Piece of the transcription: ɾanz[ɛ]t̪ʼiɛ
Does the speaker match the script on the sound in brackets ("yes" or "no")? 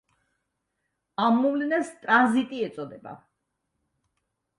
no